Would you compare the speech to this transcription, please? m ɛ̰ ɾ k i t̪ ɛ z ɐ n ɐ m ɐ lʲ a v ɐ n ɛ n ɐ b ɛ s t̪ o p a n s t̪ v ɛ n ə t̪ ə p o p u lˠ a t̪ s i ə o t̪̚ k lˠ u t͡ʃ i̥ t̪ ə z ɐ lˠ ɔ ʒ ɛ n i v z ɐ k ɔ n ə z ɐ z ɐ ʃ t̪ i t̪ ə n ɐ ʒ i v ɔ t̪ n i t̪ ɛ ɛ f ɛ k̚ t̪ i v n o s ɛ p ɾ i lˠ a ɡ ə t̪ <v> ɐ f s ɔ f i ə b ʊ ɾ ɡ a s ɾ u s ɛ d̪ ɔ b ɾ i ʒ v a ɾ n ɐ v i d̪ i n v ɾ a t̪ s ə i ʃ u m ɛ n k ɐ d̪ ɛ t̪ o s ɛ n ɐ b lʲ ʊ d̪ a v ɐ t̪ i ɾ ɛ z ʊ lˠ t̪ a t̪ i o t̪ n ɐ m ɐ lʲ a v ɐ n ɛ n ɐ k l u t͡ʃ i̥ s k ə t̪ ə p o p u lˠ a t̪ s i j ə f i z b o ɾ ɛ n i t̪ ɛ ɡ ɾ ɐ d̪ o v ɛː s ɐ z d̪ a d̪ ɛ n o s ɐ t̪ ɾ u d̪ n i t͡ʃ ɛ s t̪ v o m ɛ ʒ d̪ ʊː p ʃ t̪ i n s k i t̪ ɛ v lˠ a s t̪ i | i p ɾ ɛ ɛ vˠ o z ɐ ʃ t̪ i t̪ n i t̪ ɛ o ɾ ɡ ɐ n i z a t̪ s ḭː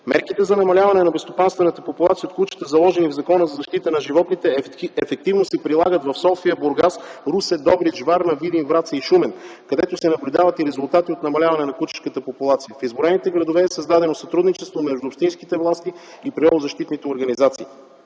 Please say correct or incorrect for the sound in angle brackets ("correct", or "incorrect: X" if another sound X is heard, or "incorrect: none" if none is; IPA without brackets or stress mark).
correct